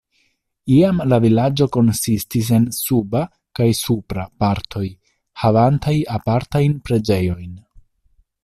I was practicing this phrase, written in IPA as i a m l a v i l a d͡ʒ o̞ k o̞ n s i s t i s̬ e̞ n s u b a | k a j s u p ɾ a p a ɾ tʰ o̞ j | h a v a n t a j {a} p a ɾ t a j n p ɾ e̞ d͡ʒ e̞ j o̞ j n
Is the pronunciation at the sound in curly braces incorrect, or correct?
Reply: correct